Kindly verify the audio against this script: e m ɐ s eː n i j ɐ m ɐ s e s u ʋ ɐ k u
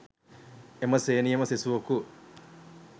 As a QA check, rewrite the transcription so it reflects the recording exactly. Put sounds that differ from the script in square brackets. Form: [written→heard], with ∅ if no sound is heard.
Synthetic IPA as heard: e m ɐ s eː n i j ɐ m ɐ s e s u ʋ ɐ k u